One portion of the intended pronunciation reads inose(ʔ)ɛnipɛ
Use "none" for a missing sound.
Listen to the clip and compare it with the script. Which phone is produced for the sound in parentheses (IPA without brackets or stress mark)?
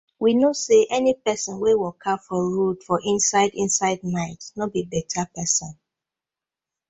ʔ